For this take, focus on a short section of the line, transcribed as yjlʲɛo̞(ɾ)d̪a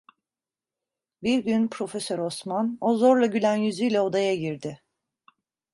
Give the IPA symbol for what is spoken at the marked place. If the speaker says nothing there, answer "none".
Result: none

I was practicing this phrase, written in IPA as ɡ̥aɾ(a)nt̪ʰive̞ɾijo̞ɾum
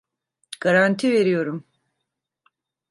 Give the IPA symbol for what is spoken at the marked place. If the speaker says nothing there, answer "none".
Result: a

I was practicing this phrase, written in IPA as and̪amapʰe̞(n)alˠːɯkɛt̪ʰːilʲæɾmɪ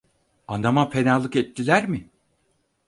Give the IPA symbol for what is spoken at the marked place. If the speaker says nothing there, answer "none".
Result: n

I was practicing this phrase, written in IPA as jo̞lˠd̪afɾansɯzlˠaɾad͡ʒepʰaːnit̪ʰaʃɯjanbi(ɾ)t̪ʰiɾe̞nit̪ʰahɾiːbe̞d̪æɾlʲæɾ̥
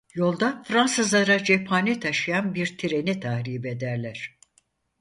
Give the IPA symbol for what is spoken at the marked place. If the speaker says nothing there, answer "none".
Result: ɾ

